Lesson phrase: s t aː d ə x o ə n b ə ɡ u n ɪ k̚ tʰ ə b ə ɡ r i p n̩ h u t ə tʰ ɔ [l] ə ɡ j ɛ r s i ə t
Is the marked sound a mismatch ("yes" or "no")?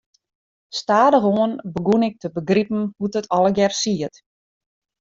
no